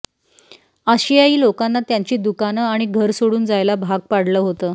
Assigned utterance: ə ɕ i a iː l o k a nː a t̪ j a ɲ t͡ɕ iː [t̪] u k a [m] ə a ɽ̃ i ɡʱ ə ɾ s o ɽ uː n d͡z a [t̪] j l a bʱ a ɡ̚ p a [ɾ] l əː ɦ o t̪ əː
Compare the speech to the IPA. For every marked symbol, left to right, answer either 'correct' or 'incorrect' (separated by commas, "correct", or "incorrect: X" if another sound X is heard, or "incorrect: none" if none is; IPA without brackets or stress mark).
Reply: incorrect: d̪, incorrect: n, incorrect: none, incorrect: ɽ